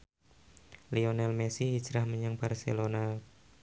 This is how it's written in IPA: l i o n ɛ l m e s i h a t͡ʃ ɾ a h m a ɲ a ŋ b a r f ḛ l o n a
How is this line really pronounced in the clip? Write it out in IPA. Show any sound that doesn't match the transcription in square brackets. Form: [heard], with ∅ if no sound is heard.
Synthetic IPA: l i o n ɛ l m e s i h [i] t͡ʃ ɾ a h m [ə] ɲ a ŋ b a r [s] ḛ l o n a

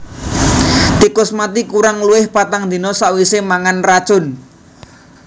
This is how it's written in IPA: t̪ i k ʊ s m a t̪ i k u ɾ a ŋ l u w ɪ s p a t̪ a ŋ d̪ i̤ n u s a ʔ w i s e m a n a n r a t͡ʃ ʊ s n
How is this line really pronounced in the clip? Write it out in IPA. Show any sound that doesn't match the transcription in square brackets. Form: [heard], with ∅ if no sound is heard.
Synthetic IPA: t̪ i k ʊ s m a t̪ i k u ɾ a ŋ l u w ɪ [h] p a t̪ a ŋ d̪ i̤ n [ɔ] s a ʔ w i s e m a [ŋ] a n r a t͡ʃ ʊ [∅] n

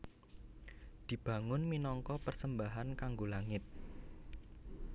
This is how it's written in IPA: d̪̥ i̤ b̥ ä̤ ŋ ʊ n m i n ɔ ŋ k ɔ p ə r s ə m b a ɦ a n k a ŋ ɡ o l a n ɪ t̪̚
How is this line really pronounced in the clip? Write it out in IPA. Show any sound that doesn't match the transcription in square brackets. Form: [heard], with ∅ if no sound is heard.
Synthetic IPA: d̪̥ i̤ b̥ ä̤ ŋ ʊ n m i n ɔ ŋ k ɔ p ə r s ə m b a ɦ a n k a ŋ ɡ o l a [ŋ] ɪ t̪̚

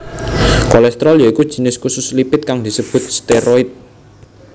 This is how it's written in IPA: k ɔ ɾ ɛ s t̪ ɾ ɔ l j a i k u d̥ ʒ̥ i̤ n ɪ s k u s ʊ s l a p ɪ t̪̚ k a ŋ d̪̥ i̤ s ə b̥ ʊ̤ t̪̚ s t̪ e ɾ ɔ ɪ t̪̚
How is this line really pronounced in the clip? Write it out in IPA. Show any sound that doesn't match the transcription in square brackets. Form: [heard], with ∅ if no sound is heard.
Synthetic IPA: k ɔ [l] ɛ s t̪ ɾ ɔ l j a i k u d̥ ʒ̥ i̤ n ɪ s k u s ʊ s l [i] p ɪ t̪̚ k a ŋ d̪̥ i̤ s ə b̥ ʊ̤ t̪̚ s t̪ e ɾ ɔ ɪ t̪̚

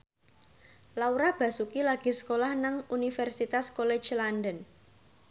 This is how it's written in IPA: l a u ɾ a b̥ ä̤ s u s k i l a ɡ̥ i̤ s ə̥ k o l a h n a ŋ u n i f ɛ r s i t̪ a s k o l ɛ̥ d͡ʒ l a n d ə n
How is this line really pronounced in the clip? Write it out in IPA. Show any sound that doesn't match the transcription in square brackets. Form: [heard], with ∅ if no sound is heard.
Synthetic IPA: l a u ɾ a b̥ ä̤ s u [∅] k i l a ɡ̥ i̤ s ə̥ k o l a h n a ŋ u n i f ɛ r s i t̪ a s k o l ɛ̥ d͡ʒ l a n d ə n

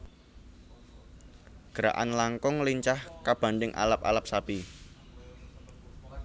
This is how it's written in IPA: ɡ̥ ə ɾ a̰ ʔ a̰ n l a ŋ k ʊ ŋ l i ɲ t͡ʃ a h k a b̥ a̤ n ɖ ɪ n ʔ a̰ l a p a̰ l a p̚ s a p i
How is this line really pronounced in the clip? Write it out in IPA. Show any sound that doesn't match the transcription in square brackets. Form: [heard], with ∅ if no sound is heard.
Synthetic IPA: ɡ̥ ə ɾ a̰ ʔ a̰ n l a ŋ k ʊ ŋ l i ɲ t͡ʃ a h k a b̥ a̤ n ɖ ɪ [ŋ] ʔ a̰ l a p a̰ l a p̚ s a p i

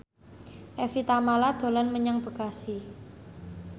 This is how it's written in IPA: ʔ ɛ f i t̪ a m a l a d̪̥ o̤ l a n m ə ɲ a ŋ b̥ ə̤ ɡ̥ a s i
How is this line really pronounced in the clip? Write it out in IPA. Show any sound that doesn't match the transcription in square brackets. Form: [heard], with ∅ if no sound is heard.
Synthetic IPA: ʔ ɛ f i t̪ a m a l a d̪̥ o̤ l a n m ə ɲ a ŋ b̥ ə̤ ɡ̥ a s i

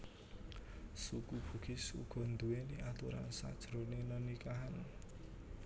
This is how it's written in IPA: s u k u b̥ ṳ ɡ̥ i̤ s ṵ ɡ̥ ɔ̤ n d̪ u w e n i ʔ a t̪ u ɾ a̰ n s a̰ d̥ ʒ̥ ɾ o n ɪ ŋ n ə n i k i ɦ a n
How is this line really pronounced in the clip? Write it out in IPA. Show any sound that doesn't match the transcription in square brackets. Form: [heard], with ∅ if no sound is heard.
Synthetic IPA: s u k u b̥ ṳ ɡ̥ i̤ s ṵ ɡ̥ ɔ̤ n d̪ u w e n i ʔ a t̪ u ɾ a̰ n s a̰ d̥ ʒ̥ ɾ o n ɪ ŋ n ə n i k [a] ɦ a n

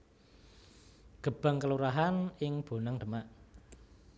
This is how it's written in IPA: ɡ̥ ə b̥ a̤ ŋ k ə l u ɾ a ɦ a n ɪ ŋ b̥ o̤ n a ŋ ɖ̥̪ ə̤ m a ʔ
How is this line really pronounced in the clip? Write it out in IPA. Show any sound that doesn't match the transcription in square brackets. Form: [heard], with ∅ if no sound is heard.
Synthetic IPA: ɡ̥ ə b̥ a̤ ŋ k ə l u ɾ a ɦ a n ɪ ŋ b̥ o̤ n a ŋ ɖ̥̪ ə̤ m a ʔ

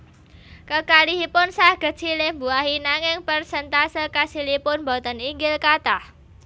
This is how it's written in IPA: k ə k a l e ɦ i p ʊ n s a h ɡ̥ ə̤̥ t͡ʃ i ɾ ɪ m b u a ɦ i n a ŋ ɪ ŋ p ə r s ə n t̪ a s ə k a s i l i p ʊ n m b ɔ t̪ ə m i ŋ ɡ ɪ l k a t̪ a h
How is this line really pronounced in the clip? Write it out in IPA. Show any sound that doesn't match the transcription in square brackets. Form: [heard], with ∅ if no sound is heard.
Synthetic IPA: k ə k a l [i] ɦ i p ʊ n s a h ɡ̥ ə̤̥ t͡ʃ i [l] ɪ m b u a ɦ i n a ŋ ɪ ŋ p ə r s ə n t̪ a s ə k a s i l i p ʊ n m b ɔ t̪ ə [n] i ŋ ɡ ɪ l k a t̪ a h

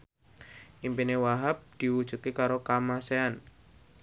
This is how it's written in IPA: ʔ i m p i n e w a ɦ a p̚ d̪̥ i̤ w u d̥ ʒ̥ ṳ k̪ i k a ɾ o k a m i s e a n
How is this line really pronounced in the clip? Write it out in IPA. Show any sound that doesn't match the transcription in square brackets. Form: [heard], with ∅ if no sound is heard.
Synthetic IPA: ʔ i m p i n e w a ɦ a p̚ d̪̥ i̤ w u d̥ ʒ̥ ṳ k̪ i k a ɾ o k a m [a] s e a n

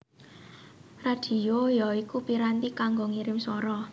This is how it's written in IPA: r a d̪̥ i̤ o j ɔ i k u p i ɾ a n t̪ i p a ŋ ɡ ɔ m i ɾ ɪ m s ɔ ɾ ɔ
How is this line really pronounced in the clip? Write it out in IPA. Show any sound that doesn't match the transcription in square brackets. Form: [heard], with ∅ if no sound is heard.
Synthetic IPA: r a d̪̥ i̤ o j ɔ i k u p i ɾ a n t̪ i [k] a ŋ ɡ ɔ [ŋ] i ɾ ɪ m s ɔ ɾ ɔ

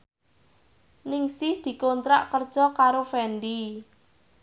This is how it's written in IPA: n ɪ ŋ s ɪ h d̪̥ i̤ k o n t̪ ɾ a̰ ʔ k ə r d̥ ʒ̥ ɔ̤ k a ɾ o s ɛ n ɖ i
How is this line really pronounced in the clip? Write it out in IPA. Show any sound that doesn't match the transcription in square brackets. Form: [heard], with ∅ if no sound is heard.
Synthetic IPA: n ɪ ŋ s ɪ h d̪̥ i̤ k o n t̪ ɾ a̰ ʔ k ə r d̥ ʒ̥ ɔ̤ k a ɾ o [f] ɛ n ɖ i

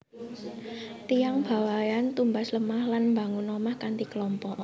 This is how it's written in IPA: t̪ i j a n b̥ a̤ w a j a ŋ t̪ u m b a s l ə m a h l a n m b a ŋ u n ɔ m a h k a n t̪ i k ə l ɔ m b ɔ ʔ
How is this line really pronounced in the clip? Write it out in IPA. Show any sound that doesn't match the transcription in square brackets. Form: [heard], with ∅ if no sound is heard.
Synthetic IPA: t̪ i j a [ŋ] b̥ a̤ w a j a [n] t̪ u m b a s l ə m a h l a n m b a ŋ u n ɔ m a h k a n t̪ i k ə l ɔ m [p] ɔ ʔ

